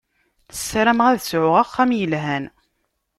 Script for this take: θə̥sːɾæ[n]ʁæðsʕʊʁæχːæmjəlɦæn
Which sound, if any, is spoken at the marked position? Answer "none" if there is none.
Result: m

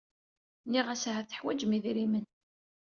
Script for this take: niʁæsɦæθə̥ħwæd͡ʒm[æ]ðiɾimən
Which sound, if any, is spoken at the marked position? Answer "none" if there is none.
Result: i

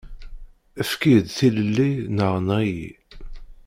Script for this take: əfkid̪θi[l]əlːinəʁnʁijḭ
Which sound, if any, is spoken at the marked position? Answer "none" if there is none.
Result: l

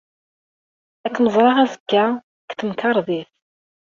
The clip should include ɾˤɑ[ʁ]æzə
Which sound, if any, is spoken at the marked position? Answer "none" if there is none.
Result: ʁ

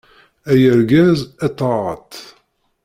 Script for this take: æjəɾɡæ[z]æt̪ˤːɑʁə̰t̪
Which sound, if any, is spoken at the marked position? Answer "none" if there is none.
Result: z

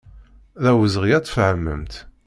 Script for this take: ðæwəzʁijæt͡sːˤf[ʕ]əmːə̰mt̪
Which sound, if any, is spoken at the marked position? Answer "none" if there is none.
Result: ʕ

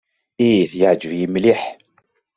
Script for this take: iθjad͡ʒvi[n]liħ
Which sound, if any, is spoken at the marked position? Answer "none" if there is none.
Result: m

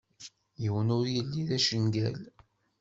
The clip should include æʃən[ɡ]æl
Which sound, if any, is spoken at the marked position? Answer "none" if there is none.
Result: ɡ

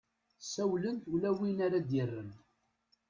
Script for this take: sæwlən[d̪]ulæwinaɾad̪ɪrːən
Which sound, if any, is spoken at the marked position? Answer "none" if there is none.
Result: t̪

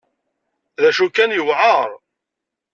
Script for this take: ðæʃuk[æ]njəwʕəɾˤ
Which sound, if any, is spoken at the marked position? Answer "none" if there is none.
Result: æ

